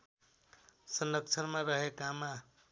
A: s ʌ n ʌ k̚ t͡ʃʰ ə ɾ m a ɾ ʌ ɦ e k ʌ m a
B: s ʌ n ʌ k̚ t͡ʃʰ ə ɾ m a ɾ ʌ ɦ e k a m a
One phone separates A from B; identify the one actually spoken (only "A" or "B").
B